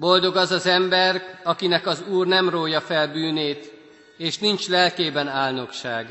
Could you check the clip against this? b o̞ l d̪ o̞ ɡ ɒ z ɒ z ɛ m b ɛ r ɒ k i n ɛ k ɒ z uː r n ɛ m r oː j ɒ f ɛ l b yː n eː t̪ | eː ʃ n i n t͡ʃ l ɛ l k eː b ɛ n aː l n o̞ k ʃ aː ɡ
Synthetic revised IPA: b o̞ l d̪ o̞ ɡ ɒ z ɒ z ɛ m b ɛ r ɒ k i n ɛ k ɒ z uː r n ɛ m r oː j ɒ f ɛ l b yː n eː t̪ | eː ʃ n i n t͡ʃ l ɛ l k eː b ɛ n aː l n o̞ k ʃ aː ɡ